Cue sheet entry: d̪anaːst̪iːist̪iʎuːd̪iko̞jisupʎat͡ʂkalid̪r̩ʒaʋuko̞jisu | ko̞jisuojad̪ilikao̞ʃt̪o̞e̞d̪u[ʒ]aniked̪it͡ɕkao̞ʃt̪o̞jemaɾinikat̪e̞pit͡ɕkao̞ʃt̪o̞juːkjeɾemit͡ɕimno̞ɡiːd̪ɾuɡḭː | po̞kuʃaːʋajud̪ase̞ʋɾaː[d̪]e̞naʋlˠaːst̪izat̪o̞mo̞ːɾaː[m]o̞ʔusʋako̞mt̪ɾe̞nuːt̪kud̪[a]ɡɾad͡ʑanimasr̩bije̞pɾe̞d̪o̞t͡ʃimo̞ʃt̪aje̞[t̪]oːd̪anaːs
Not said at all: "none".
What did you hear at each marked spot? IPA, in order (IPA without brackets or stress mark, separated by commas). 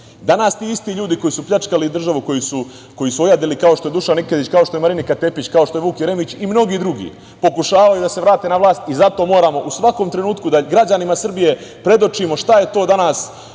ʃ, t̪, m, a, t̪